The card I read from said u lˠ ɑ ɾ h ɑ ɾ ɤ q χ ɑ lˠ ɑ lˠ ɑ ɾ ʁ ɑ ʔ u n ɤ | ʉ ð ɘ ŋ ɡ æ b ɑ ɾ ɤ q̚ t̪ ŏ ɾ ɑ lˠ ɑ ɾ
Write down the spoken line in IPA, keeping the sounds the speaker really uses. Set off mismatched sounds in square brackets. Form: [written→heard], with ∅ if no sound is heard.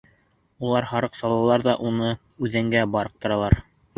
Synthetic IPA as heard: u lˠ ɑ ɾ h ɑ ɾ ɤ q [χ→s] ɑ lˠ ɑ lˠ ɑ ɾ [ʁ→ð] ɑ ʔ u n ɤ | ʉ ð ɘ ŋ ɡ æ b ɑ ɾ ɤ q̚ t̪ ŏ ɾ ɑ lˠ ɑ ɾ